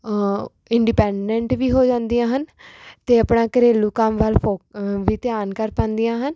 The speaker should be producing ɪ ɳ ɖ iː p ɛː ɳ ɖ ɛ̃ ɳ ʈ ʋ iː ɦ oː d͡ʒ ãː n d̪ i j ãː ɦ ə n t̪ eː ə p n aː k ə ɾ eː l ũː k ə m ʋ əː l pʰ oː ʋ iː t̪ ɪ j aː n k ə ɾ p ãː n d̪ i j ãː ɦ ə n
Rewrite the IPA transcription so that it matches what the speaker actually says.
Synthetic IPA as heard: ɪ ɳ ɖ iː p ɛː ɳ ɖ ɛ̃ ɳ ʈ ʋ iː ɦ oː d͡ʒ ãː n d̪ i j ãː ɦ ə n t̪ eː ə p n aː k ə ɾ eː l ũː k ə m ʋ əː l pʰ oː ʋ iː t̪ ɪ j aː n k ə ɾ p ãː n d̪ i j ãː ɦ ə n